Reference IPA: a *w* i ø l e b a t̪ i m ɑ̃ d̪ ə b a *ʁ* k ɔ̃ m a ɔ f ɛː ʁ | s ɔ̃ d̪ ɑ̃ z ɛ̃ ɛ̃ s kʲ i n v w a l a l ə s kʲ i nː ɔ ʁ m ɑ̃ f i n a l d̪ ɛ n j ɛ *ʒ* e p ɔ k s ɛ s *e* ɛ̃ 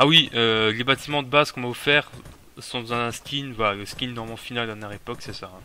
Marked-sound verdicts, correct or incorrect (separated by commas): correct, incorrect, incorrect, incorrect